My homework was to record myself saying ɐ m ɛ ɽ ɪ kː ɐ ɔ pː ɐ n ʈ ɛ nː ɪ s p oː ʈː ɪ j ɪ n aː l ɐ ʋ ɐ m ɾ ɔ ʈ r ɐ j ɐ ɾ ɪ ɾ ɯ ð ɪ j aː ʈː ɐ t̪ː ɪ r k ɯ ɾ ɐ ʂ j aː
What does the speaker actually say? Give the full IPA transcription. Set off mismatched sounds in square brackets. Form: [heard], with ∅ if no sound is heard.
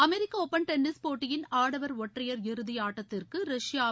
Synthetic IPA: ɐ m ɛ [ɾ] ɪ kː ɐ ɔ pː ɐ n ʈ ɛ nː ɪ s p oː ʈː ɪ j ɪ n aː [ɽ] ɐ ʋ ɐ [∅] ɾ ɔ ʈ r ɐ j ɐ ɾ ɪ ɾ ɯ ð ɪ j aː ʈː ɐ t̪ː ɪ r k ɯ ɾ ɐ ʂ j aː